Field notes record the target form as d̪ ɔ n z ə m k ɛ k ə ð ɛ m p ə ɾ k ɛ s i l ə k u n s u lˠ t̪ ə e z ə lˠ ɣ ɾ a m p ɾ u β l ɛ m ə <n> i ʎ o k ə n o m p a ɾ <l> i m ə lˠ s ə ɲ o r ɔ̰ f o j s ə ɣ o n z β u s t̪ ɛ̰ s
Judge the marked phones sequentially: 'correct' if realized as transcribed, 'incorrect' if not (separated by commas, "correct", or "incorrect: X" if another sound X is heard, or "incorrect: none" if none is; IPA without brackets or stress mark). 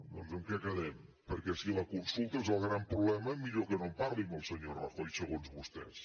incorrect: m, correct